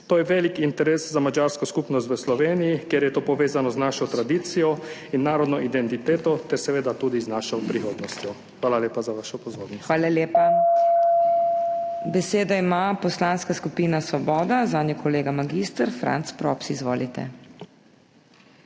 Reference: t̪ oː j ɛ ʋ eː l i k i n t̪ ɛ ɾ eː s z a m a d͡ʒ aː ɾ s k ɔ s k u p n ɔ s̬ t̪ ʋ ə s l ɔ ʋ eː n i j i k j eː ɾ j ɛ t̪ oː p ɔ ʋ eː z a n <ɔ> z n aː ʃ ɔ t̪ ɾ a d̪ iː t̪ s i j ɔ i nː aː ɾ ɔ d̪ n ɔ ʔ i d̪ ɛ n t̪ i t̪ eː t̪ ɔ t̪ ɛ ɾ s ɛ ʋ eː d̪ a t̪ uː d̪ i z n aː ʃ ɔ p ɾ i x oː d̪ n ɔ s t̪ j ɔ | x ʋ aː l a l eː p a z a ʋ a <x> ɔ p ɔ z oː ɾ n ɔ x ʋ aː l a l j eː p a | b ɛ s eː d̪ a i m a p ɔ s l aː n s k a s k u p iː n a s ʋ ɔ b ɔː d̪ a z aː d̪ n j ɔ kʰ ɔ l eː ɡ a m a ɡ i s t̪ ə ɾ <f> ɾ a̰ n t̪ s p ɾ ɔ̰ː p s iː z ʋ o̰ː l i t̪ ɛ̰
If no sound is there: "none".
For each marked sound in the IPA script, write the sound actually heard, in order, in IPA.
ɔ, ʃ, f

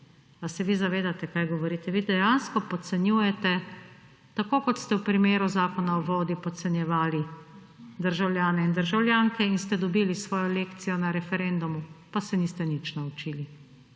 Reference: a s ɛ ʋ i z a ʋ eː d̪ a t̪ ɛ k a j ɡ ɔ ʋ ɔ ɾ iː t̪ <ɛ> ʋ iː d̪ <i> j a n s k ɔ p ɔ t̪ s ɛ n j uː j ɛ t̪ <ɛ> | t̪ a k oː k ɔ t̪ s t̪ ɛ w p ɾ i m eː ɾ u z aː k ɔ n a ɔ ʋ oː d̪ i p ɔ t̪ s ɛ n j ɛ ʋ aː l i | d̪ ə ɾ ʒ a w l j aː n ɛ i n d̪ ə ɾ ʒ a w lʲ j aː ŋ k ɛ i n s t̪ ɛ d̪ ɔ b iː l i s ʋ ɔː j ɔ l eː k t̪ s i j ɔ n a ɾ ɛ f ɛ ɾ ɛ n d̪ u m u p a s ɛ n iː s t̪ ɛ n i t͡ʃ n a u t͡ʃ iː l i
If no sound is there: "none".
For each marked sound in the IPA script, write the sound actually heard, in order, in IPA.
ɛ, ɛ, ɛ

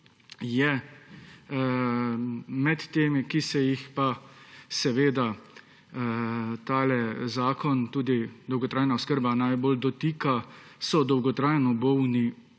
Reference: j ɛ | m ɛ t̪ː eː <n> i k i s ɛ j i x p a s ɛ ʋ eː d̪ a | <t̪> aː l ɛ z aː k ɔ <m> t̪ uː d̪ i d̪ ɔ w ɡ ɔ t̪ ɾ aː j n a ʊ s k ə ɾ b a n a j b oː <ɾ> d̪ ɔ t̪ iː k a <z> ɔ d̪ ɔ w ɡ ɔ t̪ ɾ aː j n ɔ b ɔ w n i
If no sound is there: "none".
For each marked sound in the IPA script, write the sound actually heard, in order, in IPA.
m, t̪, n, l, s

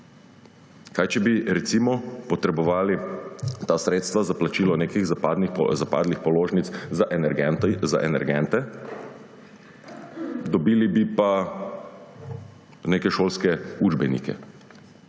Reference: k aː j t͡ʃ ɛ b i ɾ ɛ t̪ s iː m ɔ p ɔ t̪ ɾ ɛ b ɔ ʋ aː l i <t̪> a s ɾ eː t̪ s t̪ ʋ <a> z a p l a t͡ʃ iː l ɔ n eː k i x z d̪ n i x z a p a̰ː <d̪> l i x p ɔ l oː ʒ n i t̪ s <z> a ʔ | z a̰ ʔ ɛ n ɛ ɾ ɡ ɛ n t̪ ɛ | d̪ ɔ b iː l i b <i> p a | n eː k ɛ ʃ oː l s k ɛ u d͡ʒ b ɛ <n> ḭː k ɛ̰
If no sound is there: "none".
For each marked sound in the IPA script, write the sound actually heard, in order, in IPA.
t̪, a, d̪, z, i, n

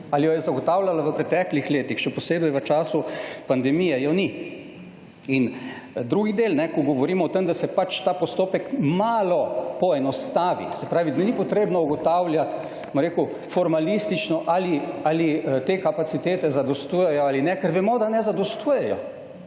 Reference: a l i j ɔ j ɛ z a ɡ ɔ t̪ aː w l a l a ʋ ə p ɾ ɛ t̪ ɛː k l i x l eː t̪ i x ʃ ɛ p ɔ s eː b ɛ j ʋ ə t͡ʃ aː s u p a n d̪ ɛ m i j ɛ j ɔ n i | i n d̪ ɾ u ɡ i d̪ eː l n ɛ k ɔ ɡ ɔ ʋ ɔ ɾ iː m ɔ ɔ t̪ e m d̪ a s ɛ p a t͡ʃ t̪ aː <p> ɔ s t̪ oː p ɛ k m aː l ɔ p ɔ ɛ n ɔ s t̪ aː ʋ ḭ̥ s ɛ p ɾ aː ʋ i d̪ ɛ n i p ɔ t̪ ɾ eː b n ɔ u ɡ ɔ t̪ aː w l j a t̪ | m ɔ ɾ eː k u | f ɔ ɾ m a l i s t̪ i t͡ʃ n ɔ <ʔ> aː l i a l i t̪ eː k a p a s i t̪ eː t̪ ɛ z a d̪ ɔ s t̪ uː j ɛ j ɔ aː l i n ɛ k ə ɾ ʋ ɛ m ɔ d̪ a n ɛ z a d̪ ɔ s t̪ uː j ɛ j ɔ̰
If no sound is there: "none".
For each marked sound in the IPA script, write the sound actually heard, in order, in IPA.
p, ʔ

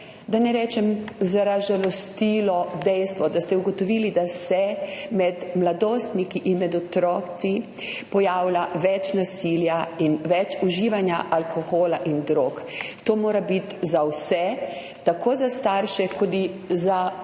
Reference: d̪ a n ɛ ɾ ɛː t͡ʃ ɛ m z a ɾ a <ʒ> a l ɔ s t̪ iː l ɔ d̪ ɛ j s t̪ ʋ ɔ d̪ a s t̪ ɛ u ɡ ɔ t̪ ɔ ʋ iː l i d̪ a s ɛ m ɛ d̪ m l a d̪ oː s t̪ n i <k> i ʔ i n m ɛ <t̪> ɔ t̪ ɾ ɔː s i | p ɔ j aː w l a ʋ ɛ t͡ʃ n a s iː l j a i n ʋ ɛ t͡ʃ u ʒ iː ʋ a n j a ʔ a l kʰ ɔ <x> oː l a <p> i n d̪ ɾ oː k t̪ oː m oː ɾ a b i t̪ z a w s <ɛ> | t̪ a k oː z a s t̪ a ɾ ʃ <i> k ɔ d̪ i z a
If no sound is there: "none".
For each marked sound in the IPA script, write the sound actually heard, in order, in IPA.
ʒ, k, d̪, x, ʔ, ɛ, ɛ

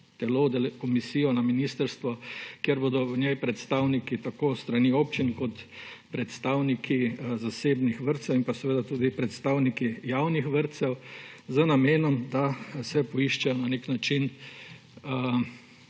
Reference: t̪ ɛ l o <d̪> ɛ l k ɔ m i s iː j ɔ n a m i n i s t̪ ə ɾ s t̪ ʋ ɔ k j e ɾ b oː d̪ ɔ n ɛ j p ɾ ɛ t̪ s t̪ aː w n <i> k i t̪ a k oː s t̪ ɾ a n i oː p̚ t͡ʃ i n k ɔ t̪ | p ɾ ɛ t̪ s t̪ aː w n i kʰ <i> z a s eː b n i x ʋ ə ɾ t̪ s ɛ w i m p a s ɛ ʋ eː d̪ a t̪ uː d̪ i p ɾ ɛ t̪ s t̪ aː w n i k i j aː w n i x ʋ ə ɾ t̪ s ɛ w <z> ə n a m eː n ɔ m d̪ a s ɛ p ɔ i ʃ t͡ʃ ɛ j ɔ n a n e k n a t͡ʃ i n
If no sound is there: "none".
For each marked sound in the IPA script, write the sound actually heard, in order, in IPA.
d̪, i, i, z

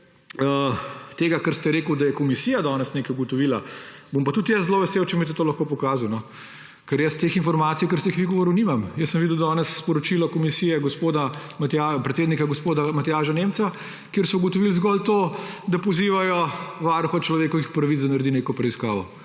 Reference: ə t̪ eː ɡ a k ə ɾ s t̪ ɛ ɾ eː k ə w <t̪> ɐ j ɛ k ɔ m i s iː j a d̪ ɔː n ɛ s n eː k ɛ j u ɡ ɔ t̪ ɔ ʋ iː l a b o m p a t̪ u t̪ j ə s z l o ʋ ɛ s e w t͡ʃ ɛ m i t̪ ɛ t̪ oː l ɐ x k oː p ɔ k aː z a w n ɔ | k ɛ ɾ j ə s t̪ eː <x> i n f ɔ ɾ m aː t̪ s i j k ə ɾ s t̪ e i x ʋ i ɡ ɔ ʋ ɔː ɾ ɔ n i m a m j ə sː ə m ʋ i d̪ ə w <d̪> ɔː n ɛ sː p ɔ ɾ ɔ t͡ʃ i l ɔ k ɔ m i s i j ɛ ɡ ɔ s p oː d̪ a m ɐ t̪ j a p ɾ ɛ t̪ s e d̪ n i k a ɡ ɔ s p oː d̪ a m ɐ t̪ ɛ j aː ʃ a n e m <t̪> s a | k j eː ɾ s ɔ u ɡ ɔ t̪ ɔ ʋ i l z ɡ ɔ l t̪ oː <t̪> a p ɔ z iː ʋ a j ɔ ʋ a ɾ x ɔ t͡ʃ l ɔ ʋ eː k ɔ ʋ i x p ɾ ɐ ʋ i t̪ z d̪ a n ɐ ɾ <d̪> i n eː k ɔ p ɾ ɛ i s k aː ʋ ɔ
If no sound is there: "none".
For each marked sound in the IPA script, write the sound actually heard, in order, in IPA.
d̪, x, d̪, t̪, d̪, d̪

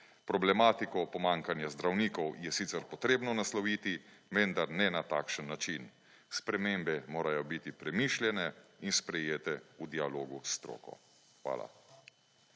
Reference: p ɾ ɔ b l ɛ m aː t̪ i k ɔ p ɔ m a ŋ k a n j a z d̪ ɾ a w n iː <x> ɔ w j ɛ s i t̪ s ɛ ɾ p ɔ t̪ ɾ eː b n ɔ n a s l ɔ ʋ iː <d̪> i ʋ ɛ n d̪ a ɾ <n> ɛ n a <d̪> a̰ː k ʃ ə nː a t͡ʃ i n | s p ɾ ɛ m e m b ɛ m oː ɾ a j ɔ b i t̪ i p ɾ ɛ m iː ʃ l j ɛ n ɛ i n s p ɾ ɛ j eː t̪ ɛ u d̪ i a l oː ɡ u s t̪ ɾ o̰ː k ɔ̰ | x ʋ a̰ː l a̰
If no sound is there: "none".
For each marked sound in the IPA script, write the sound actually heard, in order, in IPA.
k, t̪, n, t̪

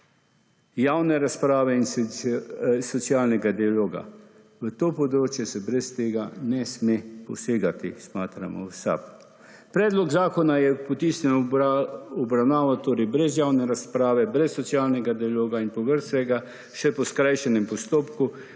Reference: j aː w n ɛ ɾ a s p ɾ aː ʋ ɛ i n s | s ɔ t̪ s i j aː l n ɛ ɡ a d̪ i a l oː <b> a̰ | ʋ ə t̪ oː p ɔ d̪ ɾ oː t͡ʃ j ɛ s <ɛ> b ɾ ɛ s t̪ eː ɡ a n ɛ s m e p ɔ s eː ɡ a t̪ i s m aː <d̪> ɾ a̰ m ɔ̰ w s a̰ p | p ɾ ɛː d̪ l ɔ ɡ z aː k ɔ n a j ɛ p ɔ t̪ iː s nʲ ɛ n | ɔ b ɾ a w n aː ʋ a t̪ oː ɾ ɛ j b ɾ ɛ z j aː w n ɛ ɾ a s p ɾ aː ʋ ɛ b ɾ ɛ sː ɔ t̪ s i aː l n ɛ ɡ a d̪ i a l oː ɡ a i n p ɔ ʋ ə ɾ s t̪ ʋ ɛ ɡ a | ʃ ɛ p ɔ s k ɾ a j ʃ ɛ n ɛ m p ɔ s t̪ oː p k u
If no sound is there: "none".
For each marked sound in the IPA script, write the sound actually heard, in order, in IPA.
ɡ, ɛ, t̪

